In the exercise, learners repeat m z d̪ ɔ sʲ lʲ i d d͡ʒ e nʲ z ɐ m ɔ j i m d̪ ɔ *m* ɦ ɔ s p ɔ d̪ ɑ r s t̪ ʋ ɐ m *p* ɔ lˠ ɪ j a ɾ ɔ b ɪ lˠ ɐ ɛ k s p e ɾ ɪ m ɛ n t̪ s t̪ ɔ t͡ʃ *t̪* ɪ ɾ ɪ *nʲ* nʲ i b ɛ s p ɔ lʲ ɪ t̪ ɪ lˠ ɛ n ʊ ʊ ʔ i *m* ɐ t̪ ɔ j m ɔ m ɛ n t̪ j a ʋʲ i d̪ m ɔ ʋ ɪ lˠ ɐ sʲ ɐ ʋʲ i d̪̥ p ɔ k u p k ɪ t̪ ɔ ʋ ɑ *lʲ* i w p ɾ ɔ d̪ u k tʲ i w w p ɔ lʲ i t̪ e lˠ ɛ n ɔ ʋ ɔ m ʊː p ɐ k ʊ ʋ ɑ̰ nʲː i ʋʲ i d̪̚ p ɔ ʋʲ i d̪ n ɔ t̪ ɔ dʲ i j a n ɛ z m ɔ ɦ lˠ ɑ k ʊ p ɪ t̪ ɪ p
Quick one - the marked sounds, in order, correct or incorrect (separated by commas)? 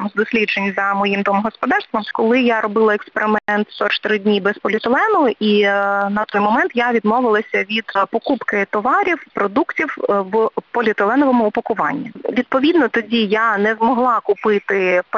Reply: correct, incorrect, correct, incorrect, incorrect, incorrect